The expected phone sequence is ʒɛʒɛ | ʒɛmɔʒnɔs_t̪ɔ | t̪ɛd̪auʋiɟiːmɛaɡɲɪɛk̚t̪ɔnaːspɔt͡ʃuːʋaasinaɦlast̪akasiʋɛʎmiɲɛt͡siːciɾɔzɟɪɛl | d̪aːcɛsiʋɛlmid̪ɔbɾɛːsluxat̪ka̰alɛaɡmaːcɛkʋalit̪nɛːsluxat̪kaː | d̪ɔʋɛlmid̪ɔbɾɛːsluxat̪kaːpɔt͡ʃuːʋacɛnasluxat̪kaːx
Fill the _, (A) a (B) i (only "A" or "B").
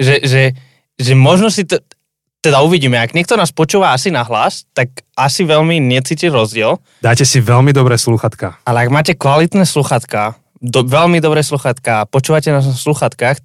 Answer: B